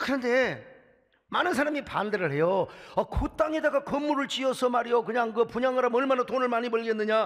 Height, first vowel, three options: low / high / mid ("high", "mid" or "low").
high